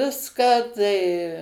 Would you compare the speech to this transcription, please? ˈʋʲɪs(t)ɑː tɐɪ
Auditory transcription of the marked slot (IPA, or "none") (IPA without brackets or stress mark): k